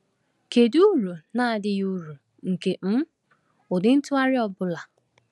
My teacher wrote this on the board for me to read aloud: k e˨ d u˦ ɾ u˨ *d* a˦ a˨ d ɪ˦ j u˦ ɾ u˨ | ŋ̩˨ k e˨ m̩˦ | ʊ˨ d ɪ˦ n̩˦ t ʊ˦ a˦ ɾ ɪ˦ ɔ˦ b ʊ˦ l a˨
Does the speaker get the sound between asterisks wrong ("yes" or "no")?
yes